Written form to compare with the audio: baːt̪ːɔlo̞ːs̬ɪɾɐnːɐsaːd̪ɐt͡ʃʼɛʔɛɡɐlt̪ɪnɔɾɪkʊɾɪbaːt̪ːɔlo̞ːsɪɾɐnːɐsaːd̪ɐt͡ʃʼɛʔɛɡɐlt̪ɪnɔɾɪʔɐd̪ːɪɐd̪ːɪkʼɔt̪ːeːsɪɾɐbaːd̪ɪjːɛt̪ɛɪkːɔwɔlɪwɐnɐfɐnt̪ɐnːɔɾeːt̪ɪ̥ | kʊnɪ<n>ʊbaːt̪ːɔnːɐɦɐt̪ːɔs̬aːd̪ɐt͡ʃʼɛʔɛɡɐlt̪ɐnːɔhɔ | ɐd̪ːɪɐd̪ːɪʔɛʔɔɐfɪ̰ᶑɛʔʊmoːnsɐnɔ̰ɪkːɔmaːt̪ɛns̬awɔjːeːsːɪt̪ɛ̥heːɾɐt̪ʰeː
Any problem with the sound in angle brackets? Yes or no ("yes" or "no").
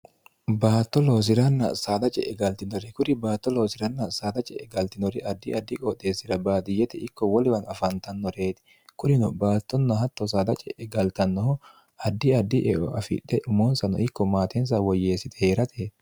no